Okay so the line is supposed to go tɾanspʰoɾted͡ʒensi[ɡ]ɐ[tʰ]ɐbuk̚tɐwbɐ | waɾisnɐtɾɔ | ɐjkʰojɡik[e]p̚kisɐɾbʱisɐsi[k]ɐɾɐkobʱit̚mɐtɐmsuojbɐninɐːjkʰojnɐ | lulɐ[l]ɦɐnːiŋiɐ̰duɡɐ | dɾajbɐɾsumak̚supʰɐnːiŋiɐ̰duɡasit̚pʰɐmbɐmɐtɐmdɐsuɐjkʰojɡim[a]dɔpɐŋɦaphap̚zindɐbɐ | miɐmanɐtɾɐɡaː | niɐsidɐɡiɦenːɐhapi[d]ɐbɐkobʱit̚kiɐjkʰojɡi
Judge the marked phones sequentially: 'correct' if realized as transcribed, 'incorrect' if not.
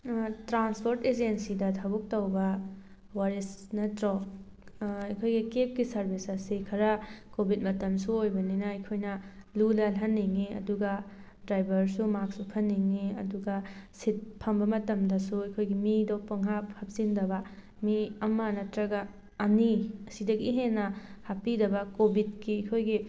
incorrect: d, correct, correct, incorrect: kʰ, correct, incorrect: i, correct

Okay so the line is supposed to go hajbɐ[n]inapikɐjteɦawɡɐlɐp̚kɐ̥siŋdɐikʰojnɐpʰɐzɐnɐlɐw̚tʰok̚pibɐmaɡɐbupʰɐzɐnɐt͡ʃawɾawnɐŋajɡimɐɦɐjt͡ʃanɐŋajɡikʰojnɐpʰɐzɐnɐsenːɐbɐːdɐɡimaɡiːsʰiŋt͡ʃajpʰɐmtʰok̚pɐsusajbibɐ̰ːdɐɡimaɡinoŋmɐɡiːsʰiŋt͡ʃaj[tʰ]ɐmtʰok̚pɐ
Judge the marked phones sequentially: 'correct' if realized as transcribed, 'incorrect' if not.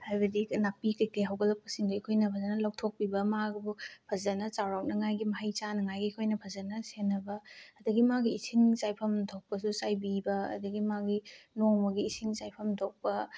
incorrect: d, incorrect: pʰ

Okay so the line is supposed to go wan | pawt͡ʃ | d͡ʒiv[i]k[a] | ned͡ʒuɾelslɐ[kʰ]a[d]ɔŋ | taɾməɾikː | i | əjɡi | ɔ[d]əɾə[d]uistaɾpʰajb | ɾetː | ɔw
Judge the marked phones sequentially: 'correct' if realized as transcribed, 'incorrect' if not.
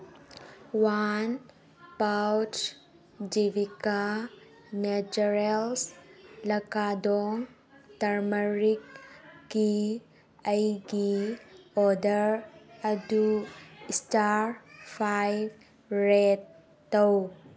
correct, correct, incorrect: k, correct, correct, correct

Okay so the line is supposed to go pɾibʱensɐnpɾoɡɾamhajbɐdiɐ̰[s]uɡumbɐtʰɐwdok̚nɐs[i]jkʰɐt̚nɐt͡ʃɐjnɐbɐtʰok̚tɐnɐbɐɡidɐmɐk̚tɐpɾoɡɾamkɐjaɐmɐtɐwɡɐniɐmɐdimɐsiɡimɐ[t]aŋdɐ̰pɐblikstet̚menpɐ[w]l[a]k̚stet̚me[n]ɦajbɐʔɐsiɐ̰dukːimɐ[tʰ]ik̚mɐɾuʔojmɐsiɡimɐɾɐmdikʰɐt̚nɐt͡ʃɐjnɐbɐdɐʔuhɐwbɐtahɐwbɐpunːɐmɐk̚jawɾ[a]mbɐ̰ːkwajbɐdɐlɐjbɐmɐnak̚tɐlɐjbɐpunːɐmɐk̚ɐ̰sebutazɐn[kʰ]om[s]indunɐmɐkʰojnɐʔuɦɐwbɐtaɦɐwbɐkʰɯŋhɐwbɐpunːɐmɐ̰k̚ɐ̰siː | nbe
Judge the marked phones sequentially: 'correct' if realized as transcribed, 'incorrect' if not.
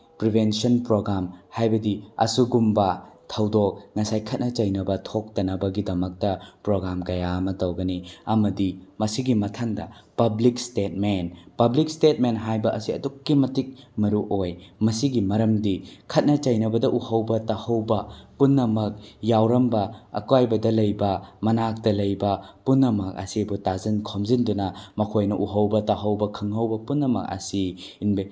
correct, incorrect: a, incorrect: tʰ, incorrect: b, incorrect: i, correct, incorrect: t, incorrect: ɐ, correct, incorrect: z

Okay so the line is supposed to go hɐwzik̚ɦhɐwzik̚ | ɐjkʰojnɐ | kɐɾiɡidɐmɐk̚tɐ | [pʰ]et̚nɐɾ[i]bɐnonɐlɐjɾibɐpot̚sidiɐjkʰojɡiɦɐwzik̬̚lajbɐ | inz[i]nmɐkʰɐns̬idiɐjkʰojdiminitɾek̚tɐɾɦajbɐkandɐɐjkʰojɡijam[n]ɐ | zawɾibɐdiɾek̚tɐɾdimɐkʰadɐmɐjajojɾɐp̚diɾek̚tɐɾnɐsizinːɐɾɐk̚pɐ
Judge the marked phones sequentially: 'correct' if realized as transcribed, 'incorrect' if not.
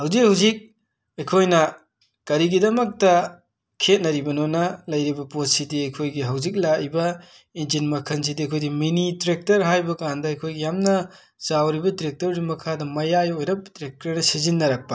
incorrect: kʰ, correct, correct, correct

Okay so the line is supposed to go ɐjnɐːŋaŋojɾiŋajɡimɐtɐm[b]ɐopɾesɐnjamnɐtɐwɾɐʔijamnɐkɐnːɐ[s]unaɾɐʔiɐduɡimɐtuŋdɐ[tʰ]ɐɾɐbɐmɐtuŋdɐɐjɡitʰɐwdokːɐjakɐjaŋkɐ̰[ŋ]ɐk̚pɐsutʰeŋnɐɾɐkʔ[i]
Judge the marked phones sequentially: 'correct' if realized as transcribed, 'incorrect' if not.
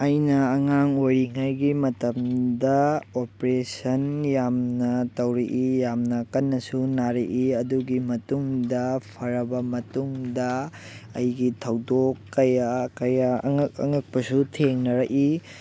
incorrect: d, correct, incorrect: pʰ, correct, correct

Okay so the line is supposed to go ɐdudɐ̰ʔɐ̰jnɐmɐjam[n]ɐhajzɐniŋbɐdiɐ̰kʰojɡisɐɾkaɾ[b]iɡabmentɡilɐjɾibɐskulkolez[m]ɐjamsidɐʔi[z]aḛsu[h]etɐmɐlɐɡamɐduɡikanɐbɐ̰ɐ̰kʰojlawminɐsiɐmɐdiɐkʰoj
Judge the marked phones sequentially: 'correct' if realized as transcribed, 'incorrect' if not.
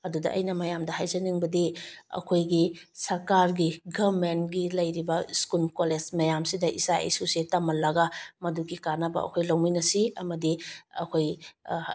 incorrect: d, incorrect: ɡ, correct, incorrect: s, incorrect: s

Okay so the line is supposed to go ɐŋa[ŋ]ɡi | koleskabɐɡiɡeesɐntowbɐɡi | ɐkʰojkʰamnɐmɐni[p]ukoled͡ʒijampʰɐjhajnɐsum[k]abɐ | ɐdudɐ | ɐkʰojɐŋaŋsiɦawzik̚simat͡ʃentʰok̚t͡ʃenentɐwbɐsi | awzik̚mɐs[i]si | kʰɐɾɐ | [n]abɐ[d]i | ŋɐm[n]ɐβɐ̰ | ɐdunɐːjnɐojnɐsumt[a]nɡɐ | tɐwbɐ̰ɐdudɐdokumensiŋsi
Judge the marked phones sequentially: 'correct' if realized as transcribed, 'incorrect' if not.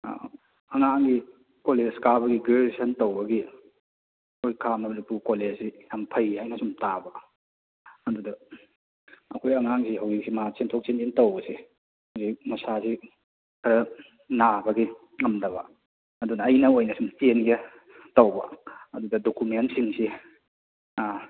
correct, correct, incorrect: t, incorrect: a, correct, incorrect: ɡ, incorrect: d, incorrect: e

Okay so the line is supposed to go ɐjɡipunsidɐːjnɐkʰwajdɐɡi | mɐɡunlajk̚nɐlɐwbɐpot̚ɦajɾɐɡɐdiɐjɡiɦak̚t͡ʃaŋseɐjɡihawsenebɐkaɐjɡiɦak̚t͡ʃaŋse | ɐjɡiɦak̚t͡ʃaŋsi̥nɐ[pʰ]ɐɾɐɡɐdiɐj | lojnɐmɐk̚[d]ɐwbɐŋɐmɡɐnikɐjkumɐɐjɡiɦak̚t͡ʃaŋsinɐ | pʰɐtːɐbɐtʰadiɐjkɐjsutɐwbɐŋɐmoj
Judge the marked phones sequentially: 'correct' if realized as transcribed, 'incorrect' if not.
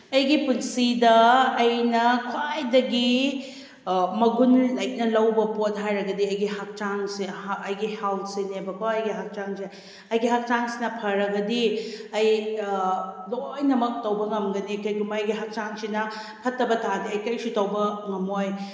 correct, incorrect: t

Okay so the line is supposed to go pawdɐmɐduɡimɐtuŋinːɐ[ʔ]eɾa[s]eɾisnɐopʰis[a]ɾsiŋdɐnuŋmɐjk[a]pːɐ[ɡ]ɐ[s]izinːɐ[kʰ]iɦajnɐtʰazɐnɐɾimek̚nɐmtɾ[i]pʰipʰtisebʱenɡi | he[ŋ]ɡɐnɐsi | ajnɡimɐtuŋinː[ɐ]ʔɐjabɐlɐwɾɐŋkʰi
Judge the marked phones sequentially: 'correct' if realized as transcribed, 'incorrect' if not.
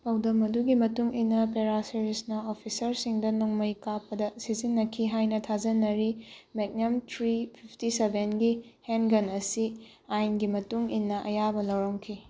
incorrect: p, correct, incorrect: ɐ, correct, incorrect: d, correct, correct, correct, incorrect: n, correct

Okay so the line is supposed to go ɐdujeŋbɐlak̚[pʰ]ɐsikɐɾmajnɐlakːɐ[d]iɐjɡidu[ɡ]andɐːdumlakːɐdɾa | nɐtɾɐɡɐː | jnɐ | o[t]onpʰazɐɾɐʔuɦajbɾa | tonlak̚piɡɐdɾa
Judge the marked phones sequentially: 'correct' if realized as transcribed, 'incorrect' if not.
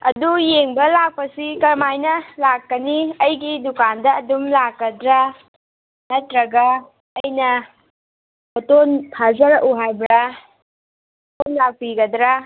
incorrect: p, incorrect: n, incorrect: k, correct

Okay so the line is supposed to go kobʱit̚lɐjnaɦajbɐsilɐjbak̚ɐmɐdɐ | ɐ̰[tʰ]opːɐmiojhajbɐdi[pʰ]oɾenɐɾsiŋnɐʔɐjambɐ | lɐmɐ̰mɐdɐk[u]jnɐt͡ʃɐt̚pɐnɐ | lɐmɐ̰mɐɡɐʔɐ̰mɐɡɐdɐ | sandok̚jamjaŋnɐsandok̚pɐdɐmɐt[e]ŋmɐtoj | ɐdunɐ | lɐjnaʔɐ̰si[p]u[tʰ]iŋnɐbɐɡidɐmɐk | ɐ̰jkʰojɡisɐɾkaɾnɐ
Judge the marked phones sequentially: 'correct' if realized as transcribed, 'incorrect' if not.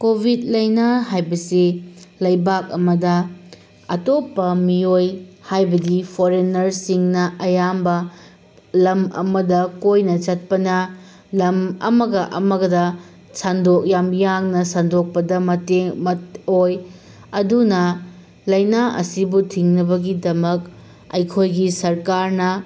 incorrect: t, correct, incorrect: o, correct, incorrect: b, correct

